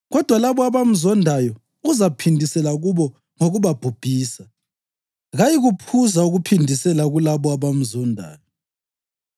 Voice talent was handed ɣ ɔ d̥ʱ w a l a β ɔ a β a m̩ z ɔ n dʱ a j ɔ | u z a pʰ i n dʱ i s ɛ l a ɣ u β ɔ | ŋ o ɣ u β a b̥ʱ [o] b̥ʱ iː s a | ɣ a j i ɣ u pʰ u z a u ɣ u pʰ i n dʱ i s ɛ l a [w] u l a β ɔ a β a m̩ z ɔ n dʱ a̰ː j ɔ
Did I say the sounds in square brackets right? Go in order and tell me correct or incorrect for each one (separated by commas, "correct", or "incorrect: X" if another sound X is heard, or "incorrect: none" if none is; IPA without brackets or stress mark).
incorrect: u, incorrect: ɣ